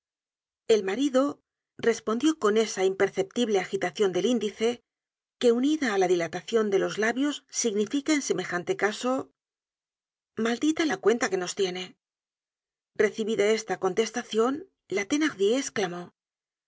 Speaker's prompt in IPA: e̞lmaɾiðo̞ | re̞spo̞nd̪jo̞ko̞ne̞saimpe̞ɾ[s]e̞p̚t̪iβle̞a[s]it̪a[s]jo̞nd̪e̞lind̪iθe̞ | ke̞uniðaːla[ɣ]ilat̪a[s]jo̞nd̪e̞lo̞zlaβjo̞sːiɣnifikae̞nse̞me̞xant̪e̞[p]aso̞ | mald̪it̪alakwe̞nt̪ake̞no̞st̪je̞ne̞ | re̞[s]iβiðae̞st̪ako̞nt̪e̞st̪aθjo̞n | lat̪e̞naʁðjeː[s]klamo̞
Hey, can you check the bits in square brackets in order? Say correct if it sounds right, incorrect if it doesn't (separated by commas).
incorrect, incorrect, incorrect, incorrect, incorrect, incorrect, incorrect, correct